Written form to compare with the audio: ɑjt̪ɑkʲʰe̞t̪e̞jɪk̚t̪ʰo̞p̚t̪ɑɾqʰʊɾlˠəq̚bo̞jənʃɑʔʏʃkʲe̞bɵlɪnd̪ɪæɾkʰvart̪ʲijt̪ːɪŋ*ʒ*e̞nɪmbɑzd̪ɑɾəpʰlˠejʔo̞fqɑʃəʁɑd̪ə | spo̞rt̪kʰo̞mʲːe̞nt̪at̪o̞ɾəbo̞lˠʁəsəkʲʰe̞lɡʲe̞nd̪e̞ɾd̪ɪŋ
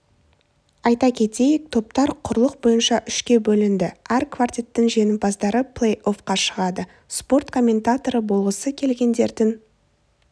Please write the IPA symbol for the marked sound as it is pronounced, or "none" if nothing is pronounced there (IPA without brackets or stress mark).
ʒ